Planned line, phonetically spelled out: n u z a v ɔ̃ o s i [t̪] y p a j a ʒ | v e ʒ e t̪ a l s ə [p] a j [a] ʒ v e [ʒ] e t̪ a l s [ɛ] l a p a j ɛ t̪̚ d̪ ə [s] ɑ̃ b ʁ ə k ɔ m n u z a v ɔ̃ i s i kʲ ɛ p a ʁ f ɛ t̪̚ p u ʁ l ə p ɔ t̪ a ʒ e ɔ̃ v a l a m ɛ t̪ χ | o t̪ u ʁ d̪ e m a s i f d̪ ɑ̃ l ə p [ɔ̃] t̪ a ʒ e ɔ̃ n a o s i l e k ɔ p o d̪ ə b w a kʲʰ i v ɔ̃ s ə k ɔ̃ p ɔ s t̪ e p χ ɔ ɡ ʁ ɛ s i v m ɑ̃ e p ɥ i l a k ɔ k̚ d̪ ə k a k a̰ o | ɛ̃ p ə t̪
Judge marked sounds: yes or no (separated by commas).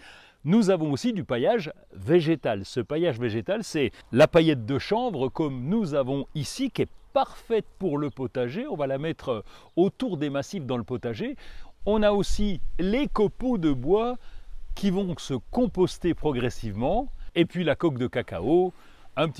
no, yes, yes, yes, yes, no, no